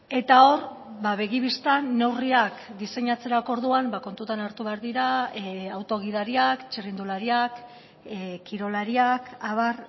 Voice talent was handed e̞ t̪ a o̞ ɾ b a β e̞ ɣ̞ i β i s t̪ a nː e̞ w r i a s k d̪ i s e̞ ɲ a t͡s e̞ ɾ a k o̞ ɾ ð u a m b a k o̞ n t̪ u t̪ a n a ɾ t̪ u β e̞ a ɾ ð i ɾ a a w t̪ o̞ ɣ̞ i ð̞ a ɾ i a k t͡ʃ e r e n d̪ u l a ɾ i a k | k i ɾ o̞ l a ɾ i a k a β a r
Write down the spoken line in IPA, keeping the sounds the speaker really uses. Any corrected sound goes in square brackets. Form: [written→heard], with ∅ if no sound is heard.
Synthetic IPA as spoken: e̞ t̪ a o̞ ɾ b a β e̞ ɣ̞ i β i s t̪ a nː e̞ w r i a [s→∅] k d̪ i s e̞ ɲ a t͡s e̞ ɾ a k o̞ ɾ ð u a m b a k o̞ n t̪ u t̪ a n a ɾ t̪ u β e̞ a ɾ ð i ɾ a a w t̪ o̞ ɣ̞ i ð̞ a ɾ i a k t͡ʃ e r [e→i] n d̪ u l a ɾ i a k | k i ɾ o̞ l a ɾ i a k a β a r